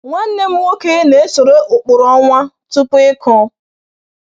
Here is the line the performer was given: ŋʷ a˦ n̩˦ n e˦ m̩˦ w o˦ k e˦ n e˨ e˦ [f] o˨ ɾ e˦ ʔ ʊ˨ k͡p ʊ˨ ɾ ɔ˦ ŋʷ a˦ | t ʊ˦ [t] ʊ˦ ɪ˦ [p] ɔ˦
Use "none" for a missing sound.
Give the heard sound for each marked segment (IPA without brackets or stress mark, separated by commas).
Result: s, p, k